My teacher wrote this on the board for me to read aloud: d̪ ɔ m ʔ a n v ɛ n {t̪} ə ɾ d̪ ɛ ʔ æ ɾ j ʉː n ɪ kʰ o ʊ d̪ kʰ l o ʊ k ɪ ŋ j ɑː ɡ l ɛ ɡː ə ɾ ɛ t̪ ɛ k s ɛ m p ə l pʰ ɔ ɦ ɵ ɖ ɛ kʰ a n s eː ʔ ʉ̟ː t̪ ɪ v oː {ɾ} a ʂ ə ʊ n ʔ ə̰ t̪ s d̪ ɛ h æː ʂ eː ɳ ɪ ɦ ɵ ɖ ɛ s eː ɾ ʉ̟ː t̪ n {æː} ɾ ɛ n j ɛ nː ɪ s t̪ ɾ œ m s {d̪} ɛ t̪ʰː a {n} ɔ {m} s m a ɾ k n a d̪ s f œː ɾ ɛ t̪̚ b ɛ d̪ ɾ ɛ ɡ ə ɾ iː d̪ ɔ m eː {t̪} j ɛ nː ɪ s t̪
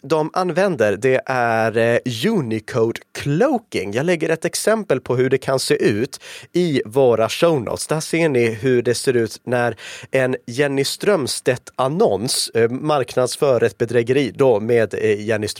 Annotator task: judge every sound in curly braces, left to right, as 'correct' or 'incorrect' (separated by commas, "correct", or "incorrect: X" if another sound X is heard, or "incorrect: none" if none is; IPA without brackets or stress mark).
incorrect: d̪, correct, incorrect: æ, incorrect: t̪, correct, incorrect: n, incorrect: d̪